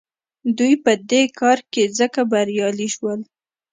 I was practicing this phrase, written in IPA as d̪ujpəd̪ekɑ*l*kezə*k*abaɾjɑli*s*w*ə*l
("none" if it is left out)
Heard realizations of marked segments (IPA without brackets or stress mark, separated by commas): ɾ, k, ʃ, ə